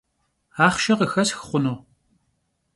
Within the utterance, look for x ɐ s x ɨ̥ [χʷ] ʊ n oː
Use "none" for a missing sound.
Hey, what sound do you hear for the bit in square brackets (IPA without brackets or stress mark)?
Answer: χʷ